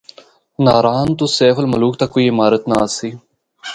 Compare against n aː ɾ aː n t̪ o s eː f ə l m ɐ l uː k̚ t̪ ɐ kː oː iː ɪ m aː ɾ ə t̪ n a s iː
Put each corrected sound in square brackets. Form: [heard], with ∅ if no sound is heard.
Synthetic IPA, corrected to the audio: n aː ɾ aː n t̪ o s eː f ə l m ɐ l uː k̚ t̪ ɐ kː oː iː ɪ m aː ɾ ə t̪ n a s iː

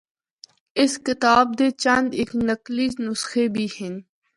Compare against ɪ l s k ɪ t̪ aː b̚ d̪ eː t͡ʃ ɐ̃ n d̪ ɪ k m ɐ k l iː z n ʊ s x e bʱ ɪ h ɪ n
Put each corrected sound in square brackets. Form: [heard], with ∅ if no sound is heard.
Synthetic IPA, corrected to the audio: ɪ [∅] s k ɪ t̪ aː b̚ d̪ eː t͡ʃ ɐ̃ n d̪ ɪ k [n] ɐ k l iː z n ʊ s x e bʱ [i] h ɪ n

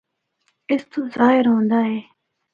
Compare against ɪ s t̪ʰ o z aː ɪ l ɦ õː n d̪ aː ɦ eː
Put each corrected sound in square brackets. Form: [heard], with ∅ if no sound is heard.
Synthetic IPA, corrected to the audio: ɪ s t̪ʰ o z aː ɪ [ɾ] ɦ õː n d̪ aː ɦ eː

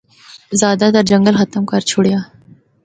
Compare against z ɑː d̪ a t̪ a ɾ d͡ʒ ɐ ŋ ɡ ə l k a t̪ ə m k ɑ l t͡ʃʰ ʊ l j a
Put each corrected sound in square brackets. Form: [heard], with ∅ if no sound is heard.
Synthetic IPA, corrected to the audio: z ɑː d̪ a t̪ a ɾ d͡ʒ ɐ ŋ ɡ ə l [x] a t̪ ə m k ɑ [ɾ] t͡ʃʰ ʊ [ɽ] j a

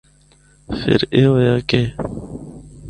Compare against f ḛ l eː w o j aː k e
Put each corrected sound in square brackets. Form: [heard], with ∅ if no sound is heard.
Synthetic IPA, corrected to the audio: f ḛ [ɾ] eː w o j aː k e

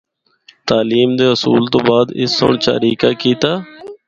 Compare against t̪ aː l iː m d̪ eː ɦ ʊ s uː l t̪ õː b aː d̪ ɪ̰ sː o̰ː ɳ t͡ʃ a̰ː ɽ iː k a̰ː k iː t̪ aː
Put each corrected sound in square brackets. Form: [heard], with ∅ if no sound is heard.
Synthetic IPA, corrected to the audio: t̪ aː l iː m d̪ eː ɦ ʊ s uː l t̪ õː b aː d̪ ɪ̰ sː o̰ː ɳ t͡ʃ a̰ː [ɾ] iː k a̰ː k iː t̪ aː

